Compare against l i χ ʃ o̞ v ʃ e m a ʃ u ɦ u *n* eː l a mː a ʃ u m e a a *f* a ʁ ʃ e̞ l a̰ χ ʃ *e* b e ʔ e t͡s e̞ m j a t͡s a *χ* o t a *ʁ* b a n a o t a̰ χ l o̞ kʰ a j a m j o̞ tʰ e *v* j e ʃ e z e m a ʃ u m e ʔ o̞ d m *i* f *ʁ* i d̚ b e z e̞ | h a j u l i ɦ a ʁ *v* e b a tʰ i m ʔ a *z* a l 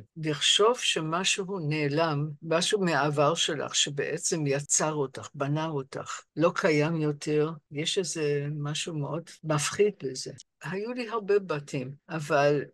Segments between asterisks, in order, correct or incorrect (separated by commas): correct, incorrect, correct, incorrect, incorrect, incorrect, incorrect, incorrect, incorrect, incorrect